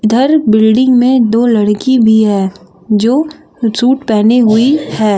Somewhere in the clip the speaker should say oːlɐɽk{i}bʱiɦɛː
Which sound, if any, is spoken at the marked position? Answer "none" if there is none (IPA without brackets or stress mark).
i